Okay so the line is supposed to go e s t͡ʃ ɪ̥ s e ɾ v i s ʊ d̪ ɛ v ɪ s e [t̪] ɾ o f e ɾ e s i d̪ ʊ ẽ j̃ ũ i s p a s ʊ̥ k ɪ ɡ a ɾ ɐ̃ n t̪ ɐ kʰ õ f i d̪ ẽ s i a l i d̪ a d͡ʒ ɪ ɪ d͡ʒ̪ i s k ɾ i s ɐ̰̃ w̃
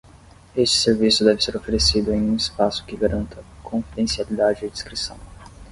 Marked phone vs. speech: incorrect: none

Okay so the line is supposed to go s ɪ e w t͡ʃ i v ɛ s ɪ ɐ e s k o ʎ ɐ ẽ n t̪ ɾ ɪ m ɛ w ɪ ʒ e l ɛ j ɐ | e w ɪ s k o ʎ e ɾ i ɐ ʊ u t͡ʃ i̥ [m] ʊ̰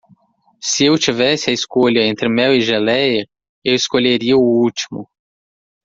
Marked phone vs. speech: correct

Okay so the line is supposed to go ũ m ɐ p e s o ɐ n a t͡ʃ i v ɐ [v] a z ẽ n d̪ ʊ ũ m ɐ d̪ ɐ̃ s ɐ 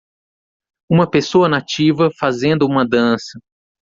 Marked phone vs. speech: incorrect: f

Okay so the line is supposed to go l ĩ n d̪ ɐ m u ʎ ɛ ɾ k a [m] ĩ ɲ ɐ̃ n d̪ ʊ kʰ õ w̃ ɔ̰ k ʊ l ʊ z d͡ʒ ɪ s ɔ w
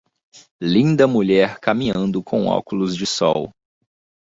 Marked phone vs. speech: correct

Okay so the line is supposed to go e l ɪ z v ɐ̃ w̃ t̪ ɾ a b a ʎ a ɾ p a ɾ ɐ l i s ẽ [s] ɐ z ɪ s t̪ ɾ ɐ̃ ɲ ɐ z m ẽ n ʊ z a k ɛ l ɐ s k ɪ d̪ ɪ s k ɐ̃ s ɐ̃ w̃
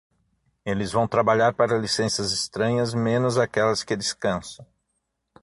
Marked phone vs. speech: correct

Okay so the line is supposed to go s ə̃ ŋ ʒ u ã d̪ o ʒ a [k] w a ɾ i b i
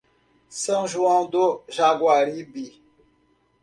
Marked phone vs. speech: incorrect: ɡ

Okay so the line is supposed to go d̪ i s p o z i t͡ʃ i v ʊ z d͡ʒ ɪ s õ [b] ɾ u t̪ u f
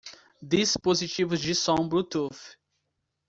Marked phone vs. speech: correct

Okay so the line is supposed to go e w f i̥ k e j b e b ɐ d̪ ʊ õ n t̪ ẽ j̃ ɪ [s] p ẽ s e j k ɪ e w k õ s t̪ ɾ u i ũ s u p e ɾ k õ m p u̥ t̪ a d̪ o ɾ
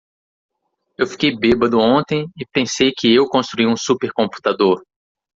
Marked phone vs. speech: incorrect: none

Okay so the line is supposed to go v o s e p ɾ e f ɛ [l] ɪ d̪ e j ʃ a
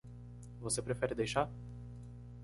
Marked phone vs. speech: incorrect: ɾ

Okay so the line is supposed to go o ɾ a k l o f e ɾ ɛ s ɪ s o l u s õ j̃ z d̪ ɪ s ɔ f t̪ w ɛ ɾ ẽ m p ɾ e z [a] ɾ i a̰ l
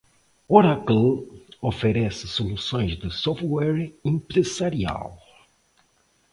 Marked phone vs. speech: correct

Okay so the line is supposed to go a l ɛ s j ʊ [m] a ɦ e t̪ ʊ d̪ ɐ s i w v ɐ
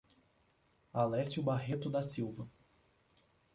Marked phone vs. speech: incorrect: b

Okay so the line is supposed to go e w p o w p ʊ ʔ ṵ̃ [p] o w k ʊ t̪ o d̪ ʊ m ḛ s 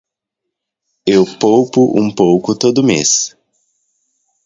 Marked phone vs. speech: correct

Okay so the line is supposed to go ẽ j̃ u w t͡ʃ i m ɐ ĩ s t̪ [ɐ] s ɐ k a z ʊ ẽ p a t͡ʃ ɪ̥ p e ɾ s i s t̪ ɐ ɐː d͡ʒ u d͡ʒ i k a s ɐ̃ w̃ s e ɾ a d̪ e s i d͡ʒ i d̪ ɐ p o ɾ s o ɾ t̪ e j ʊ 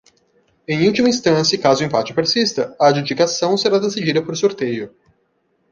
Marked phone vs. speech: incorrect: ɐ̃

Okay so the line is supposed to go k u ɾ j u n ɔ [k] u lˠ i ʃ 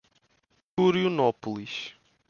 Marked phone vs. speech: incorrect: p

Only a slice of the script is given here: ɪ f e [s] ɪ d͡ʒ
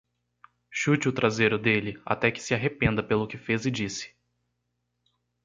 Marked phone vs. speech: incorrect: z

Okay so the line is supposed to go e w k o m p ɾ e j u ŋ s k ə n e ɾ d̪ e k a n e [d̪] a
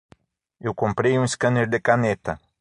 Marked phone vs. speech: incorrect: t̪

